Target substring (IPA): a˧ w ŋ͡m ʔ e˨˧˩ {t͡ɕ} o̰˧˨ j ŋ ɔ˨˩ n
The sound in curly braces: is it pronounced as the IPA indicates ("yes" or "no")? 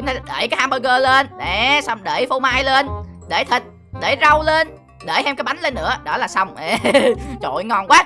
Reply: yes